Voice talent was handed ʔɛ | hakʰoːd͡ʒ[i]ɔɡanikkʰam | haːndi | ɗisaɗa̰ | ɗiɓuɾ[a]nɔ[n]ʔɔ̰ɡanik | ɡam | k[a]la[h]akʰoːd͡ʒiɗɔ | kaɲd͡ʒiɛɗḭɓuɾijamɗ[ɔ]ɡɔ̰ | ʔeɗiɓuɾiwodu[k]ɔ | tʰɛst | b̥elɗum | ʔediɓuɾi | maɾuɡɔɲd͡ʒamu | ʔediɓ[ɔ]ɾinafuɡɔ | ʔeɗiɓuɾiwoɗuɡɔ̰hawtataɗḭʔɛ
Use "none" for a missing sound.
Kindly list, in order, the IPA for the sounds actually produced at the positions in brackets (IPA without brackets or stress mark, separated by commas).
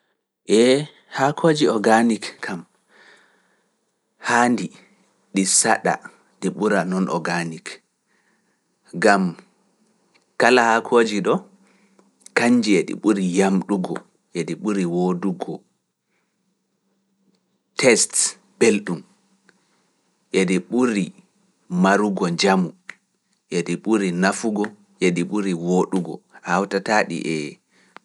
i, a, n, a, h, u, ɡ, u